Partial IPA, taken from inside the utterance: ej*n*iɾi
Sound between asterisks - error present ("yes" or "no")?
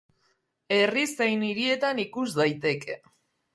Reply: no